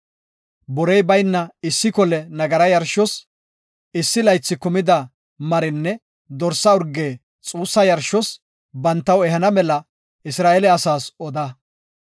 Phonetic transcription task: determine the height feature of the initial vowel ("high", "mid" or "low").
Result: mid